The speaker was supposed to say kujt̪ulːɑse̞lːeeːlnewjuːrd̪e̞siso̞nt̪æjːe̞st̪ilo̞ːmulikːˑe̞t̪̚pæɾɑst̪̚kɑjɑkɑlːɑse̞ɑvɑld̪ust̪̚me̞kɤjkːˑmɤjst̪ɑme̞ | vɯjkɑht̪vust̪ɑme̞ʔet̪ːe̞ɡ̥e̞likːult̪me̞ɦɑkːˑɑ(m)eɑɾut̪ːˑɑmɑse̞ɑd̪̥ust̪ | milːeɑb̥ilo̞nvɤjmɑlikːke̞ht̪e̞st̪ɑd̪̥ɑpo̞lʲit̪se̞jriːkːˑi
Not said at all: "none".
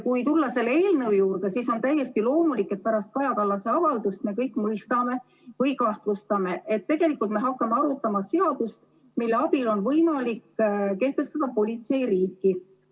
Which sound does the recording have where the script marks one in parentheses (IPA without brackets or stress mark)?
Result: m